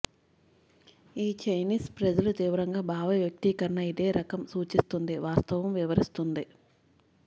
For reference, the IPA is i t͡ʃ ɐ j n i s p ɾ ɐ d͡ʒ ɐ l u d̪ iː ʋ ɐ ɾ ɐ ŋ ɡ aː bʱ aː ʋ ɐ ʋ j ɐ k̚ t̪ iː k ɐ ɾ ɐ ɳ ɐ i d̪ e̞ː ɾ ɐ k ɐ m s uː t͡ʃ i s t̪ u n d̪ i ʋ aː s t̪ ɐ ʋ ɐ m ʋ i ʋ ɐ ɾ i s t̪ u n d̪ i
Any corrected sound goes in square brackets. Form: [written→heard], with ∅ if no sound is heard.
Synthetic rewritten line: [i→iː] t͡ʃ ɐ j n [i→iː] s p ɾ ɐ d͡ʒ ɐ l u [d̪→t̪] iː ʋ ɐ ɾ ɐ ŋ ɡ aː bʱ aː ʋ ɐ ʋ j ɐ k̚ t̪ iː k ɐ ɾ ɐ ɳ ɐ i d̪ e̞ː ɾ ɐ k ɐ m s uː t͡ʃ i s t̪ u n d̪ i ʋ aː s t̪ ɐ ʋ ɐ m ʋ i ʋ ɐ ɾ i s t̪ u n d̪ i